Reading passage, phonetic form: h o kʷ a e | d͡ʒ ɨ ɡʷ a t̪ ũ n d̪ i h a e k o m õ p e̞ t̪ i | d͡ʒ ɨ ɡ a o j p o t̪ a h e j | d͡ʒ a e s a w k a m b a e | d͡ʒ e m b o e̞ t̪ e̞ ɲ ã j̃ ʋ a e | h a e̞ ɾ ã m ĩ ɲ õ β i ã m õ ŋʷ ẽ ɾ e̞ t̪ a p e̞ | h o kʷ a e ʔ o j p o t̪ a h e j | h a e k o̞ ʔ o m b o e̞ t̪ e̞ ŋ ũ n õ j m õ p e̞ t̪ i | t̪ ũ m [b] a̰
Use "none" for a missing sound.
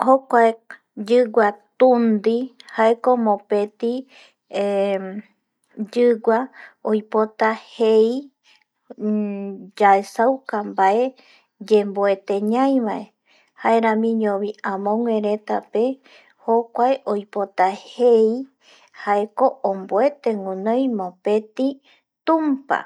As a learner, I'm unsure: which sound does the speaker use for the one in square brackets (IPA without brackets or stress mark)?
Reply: p